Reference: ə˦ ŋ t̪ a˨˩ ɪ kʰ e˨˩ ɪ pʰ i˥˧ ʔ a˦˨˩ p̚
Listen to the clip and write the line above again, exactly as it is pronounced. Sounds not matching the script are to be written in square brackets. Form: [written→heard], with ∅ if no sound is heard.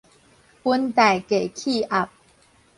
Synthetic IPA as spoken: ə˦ [ŋ→n] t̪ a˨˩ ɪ [kʰ→k] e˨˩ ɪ [pʰ→kʰ] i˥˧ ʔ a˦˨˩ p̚